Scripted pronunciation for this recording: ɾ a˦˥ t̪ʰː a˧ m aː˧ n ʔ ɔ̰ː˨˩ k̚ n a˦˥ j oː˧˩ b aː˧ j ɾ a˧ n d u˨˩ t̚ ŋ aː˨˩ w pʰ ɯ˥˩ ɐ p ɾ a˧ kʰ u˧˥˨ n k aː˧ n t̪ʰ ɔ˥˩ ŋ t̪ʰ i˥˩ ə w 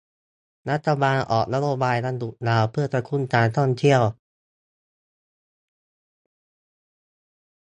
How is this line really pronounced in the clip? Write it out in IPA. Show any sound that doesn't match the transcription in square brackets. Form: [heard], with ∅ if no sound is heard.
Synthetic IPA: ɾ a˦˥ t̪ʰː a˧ [b] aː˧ n ʔ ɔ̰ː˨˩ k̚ n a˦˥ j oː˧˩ b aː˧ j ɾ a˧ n d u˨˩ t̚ [n] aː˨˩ w pʰ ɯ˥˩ ɐ p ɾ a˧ kʰ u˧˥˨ n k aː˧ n t̪ʰ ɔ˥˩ ŋ t̪ʰ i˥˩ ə w